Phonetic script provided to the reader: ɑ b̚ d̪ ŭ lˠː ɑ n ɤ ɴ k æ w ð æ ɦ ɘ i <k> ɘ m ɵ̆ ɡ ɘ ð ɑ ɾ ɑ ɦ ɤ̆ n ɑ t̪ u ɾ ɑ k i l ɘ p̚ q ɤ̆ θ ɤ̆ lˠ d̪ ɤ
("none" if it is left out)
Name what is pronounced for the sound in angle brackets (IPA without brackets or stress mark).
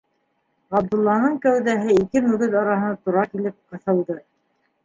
k